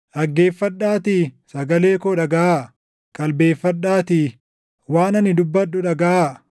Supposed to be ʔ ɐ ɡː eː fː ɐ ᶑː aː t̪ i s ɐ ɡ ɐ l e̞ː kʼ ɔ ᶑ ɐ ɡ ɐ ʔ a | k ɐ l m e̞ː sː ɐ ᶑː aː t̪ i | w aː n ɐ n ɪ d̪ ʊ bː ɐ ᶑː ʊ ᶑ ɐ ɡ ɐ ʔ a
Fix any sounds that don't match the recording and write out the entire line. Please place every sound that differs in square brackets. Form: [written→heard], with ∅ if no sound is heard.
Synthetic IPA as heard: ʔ ɐ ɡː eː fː ɐ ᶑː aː t̪ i s ɐ ɡ ɐ l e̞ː [kʼ→k] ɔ ᶑ ɐ ɡ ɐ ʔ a | [k→kʼ] ɐ l [m→b] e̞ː [sː→fː] ɐ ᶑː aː t̪ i | w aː n ɐ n ɪ d̪ ʊ bː ɐ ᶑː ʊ ᶑ ɐ ɡ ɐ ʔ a